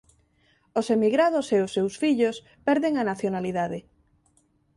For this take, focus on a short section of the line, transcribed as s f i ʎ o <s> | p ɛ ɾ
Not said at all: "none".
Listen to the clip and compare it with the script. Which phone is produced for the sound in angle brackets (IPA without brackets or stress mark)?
s